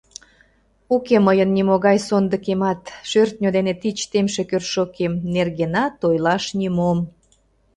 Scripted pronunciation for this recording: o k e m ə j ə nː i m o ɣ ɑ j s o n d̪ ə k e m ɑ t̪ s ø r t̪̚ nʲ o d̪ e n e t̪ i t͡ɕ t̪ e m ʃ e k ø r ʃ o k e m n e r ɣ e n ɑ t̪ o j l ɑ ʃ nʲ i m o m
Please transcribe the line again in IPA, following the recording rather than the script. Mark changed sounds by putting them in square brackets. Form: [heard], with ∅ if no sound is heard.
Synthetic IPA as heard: [u] k e m ə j ə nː i m o ɣ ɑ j s o n d̪ ə k e m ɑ t̪ [ʃ] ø r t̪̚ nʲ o d̪ e n e t̪ i t͡ɕ t̪ e m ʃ e k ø r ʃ o k e m n e r ɣ e n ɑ t̪ o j l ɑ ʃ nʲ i m o m

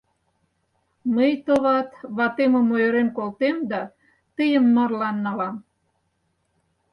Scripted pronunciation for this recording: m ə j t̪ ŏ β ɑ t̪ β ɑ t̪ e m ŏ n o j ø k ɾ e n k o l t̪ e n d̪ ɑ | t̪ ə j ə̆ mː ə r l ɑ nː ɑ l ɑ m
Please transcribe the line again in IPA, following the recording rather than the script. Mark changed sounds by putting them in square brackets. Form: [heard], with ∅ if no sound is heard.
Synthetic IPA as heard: m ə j t̪ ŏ β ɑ t̪ β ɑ t̪ e m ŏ [m] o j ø [∅] ɾ e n k o l t̪ e [m] d̪ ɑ | t̪ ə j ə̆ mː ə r l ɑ nː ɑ l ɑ m

